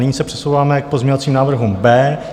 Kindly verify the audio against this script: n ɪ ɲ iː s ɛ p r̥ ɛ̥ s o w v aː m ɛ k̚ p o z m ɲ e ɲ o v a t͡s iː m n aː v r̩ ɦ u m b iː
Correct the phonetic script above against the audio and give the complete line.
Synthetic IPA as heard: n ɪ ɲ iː s ɛ p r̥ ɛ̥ s o w v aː m ɛ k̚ p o z m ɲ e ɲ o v a t͡s iː m n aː v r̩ ɦ u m b ɛː